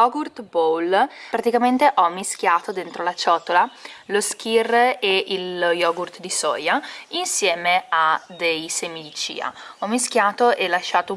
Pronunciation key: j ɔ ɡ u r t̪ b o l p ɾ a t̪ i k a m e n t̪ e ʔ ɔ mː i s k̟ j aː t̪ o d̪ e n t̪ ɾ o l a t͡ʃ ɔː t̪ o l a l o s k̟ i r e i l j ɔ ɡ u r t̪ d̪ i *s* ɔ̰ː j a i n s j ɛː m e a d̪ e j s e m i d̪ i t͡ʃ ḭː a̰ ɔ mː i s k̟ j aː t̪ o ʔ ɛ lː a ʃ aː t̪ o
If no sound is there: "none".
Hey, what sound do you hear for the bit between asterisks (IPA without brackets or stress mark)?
s